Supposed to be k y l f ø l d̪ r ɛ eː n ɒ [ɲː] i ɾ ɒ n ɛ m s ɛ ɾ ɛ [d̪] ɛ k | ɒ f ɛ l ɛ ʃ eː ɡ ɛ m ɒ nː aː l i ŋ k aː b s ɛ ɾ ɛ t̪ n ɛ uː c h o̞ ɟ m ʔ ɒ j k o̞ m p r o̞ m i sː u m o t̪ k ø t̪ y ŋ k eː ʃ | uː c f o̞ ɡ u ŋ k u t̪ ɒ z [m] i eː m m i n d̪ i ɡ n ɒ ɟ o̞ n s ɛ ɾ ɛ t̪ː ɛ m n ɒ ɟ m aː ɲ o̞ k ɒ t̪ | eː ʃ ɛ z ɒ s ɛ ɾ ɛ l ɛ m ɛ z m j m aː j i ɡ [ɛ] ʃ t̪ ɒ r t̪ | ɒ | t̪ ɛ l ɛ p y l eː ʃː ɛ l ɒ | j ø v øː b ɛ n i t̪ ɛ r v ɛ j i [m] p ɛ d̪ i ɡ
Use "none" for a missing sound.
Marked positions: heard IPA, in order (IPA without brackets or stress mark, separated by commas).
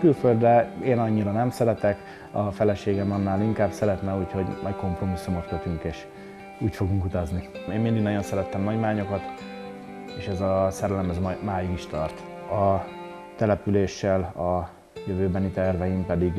ɲː, t̪, n, i, m